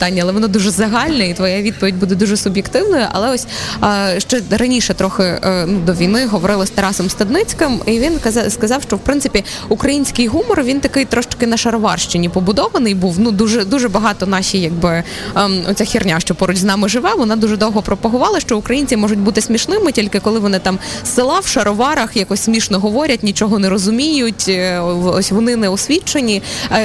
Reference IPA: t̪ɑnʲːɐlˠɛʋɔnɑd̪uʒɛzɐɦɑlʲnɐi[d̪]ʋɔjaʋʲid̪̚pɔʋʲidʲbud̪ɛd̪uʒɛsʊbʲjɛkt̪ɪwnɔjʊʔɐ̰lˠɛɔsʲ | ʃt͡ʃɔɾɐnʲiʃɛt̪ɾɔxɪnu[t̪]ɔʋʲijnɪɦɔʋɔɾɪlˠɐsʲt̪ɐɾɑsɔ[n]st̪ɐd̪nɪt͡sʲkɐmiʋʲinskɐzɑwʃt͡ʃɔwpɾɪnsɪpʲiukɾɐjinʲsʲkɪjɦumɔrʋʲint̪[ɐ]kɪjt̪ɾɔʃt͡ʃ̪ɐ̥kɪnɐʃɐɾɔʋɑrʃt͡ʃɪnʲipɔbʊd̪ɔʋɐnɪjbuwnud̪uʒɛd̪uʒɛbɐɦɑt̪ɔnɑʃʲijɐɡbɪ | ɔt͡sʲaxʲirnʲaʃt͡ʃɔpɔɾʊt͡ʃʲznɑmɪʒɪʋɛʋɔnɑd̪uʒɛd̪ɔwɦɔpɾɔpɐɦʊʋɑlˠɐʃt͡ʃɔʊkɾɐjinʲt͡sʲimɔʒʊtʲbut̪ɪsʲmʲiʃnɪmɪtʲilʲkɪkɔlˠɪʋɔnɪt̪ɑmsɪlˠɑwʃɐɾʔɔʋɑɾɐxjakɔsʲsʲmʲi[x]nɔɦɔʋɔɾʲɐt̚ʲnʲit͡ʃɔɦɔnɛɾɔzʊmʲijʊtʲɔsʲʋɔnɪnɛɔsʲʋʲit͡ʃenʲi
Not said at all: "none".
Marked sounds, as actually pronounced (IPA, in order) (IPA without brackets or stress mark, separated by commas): t̪, d̪, m, ɐ, ʃ